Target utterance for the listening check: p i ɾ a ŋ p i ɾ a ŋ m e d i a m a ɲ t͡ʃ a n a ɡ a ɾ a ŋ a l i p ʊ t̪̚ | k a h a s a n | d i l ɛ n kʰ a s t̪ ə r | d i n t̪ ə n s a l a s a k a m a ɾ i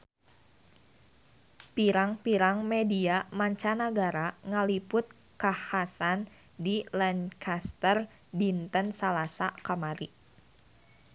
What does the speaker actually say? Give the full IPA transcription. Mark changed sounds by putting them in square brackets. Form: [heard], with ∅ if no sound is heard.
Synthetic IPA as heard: p i ɾ a ŋ p i ɾ a ŋ m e d i a m a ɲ t͡ʃ a n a ɡ a ɾ a ŋ a l i p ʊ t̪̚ | k a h a s a n | d i l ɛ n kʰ a s t̪ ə r | d i n t̪ ə n s a l a s a k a m a ɾ i

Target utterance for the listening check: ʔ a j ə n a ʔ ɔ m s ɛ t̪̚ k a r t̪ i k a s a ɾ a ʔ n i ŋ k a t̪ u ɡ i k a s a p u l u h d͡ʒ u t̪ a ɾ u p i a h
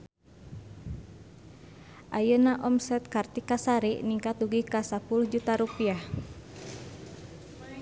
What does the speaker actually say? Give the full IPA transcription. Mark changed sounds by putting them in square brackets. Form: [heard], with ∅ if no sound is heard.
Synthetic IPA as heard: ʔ a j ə n a ʔ ɔ m s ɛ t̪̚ k a r t̪ i k a s a ɾ [i] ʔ n i ŋ k a t̪ u ɡ i k a s a p u l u h d͡ʒ u t̪ a ɾ u p i a h

